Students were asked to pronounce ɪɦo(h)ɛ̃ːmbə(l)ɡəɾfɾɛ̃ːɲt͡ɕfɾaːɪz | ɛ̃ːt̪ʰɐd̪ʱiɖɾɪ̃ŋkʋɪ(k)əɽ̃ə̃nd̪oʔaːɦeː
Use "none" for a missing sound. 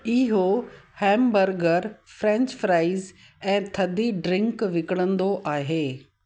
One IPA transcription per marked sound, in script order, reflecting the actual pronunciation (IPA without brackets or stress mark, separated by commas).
h, ɾ, k